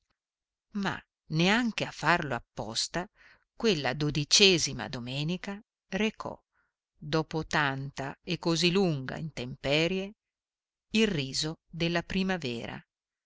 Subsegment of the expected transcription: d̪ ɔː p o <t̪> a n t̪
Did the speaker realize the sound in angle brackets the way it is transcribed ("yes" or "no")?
yes